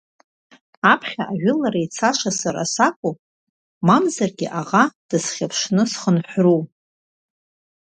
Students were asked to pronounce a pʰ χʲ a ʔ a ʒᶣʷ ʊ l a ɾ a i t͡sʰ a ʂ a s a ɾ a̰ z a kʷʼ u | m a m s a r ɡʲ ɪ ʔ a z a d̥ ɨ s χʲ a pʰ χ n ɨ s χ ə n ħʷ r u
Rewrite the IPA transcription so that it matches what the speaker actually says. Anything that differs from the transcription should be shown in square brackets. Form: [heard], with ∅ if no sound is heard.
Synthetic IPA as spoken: a pʰ χʲ a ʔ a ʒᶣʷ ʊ l a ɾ a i t͡sʰ a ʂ a s a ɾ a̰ [s] a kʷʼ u | m a m [z] a r ɡʲ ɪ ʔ a [ʁ] a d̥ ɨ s χʲ a pʰ [ʂ] n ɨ s χ ə n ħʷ r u